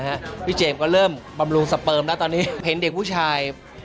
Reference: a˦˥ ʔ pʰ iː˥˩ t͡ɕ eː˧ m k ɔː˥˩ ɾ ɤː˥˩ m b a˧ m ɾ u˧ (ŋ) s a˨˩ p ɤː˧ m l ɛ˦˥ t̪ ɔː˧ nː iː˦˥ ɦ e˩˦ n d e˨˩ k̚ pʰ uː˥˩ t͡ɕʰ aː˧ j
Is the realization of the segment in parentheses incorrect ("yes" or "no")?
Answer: no